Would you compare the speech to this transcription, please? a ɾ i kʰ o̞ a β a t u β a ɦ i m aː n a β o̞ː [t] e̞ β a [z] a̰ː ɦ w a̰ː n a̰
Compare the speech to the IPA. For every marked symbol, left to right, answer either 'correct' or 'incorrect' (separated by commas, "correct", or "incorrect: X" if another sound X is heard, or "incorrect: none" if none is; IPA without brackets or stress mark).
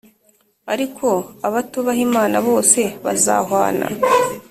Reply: incorrect: s, correct